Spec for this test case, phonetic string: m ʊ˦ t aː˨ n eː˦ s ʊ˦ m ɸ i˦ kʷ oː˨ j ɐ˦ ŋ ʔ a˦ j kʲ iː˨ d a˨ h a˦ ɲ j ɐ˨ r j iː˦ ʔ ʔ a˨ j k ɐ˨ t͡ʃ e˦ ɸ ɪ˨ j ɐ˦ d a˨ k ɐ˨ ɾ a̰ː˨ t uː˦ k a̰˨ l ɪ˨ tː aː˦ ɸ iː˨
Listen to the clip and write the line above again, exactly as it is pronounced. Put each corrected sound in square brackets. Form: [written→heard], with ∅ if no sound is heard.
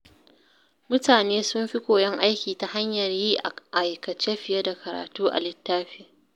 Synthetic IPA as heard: m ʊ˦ t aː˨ n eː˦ s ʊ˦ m ɸ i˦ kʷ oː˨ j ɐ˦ ŋ ʔ a˦ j kʲ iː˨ [d→t] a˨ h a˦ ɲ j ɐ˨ r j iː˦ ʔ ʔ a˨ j k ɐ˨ t͡ʃ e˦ ɸ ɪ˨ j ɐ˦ d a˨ k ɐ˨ ɾ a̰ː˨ t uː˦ [k→ʔ] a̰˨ l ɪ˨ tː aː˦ ɸ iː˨